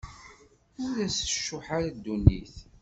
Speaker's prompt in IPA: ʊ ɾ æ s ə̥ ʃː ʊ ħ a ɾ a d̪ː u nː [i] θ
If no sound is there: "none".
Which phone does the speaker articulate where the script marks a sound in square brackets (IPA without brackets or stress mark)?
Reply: i